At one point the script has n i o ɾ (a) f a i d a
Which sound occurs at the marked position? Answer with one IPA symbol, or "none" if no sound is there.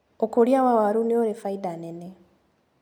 e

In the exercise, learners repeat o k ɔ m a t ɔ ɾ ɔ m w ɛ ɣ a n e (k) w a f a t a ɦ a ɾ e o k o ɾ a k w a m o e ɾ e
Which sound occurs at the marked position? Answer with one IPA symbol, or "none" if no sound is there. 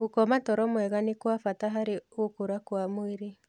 k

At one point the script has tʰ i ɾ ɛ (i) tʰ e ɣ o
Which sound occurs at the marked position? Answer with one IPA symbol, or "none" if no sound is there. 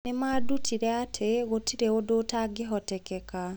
a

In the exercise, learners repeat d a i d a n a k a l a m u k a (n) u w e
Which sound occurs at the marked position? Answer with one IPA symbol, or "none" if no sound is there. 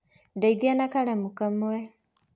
m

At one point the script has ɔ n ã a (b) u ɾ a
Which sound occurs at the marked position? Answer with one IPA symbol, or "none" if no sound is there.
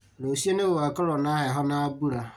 b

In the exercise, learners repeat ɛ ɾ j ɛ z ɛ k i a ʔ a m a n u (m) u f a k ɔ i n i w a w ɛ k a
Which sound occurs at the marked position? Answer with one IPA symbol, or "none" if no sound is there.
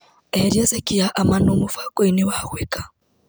m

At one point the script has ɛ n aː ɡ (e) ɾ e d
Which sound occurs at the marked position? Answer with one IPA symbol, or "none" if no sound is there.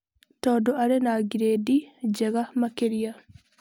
i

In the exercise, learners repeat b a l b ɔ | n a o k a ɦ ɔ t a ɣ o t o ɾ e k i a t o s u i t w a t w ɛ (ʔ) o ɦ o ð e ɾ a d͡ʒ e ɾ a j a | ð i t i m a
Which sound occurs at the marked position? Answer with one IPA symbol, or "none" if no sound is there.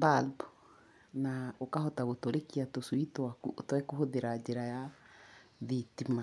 k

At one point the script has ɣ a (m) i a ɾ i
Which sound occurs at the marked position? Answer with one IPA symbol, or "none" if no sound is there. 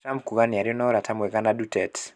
n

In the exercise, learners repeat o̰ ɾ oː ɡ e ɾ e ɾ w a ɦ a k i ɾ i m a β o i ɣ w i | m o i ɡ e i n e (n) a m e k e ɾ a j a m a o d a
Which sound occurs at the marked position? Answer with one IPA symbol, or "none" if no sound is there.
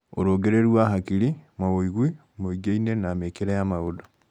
n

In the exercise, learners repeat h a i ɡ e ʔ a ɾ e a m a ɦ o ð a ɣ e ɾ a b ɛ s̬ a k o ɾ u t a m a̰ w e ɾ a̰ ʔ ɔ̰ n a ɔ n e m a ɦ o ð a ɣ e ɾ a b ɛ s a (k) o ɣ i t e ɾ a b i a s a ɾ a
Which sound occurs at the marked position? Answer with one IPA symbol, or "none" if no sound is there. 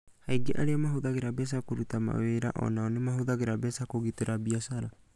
k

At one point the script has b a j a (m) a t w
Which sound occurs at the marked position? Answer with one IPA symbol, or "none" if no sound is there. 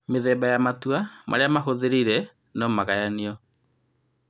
m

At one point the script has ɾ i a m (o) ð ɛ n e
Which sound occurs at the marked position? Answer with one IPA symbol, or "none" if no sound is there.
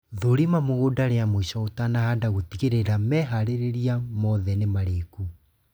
ɔ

